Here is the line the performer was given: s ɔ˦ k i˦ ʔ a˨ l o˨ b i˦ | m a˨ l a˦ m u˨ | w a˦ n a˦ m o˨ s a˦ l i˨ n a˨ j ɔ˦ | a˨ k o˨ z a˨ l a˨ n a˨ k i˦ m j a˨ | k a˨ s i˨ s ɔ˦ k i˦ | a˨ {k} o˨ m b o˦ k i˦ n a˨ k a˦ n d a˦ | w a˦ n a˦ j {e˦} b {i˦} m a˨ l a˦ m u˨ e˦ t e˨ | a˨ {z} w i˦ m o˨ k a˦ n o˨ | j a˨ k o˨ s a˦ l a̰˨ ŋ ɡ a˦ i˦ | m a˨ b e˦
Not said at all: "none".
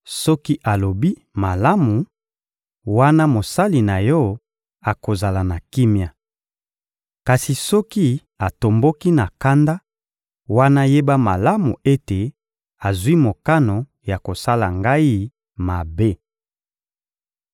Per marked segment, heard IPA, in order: t, e˦, a˦, z

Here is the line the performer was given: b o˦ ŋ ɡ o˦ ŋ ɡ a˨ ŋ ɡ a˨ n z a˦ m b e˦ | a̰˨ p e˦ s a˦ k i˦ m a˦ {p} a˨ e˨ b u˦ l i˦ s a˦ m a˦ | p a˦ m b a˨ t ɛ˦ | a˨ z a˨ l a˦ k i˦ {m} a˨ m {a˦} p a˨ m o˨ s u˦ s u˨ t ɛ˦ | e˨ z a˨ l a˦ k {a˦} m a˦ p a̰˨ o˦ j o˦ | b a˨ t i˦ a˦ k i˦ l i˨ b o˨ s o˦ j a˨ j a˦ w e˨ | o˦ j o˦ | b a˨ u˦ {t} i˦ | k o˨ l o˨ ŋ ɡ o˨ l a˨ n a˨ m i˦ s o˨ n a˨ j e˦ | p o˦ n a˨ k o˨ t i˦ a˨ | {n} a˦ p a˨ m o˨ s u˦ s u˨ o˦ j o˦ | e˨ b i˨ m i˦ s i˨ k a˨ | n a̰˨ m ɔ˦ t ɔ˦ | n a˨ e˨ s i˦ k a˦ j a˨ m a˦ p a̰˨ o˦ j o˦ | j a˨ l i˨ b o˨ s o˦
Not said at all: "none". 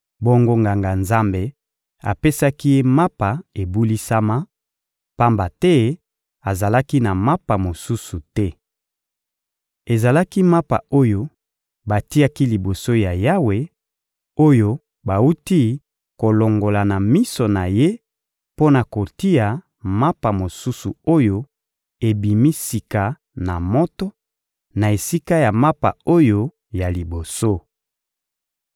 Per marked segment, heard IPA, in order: p, n, a˦, i˦, t, m

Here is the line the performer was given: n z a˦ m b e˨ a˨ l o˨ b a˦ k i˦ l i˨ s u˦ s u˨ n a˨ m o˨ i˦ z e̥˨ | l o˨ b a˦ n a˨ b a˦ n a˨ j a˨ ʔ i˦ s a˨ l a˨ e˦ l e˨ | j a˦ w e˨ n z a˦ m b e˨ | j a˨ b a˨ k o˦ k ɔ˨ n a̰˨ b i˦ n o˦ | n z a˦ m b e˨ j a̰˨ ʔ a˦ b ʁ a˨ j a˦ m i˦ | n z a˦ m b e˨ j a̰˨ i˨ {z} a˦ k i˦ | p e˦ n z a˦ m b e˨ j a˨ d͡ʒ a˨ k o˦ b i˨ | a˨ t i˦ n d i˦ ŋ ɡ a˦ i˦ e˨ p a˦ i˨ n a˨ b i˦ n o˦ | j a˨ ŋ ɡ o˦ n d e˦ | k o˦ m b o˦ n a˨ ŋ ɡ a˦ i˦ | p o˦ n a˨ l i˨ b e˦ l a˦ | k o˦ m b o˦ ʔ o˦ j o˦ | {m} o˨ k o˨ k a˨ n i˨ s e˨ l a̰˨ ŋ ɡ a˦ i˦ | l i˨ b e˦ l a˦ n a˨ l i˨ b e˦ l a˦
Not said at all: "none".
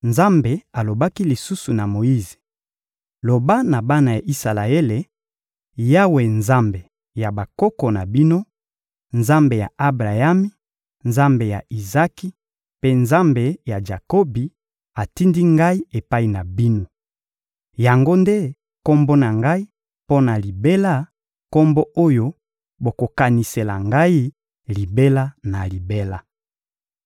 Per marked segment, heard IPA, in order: z, b

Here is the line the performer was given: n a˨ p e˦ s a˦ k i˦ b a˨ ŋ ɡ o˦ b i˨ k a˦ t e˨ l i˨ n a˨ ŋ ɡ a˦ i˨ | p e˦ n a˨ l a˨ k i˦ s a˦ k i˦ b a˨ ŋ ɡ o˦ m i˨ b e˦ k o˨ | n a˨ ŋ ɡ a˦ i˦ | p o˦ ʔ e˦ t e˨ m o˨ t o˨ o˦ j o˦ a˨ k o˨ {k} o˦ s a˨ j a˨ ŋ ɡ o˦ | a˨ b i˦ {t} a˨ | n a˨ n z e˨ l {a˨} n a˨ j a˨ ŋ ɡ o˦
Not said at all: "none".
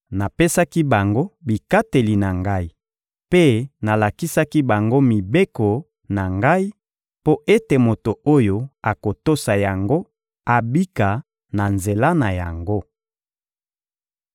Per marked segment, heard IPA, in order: t, k, a˦

